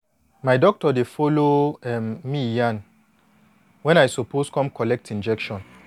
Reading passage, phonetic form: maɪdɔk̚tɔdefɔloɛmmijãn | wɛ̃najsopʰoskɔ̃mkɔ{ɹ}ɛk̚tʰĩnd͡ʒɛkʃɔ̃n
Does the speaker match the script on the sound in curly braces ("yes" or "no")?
no